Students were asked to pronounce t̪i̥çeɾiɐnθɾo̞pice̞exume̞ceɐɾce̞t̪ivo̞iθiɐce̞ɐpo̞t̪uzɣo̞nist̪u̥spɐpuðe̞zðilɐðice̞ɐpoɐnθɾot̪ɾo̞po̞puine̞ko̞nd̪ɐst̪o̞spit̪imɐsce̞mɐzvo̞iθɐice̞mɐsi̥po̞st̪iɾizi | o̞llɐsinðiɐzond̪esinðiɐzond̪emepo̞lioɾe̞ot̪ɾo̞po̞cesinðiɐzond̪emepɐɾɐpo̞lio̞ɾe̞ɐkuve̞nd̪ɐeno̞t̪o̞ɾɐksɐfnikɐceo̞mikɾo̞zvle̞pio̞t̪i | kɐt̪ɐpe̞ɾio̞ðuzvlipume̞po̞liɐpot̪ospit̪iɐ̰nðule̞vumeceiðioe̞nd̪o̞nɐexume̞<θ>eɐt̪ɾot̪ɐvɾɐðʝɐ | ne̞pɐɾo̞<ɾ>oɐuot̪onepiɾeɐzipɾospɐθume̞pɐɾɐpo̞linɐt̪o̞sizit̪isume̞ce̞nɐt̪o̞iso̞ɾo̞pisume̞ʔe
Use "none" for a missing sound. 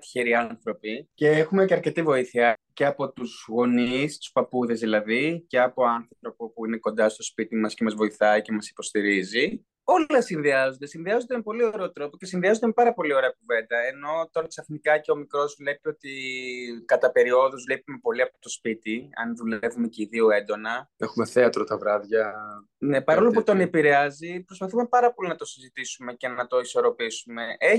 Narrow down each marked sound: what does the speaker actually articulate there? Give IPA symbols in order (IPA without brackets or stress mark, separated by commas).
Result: θ, l